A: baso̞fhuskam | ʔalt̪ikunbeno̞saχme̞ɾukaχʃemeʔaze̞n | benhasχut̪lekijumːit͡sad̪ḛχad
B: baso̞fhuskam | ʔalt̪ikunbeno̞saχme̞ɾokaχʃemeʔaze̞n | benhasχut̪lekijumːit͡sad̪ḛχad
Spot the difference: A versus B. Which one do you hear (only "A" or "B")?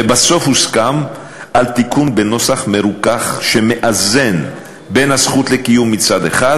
A